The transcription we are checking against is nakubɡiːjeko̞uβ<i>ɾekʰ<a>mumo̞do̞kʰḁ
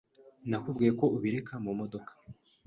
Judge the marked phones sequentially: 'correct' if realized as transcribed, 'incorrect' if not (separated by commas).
correct, correct